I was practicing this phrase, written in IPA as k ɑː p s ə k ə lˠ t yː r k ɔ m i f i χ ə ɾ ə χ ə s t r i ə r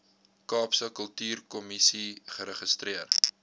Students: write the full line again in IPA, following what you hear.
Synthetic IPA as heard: k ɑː p s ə k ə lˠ t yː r k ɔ m i s i χ ə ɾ ə χ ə s t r i ə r